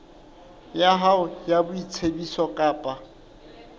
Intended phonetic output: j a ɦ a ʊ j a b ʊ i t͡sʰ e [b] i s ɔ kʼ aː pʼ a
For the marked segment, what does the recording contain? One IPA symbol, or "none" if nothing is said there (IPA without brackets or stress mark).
b